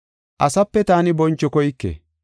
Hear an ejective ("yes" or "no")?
no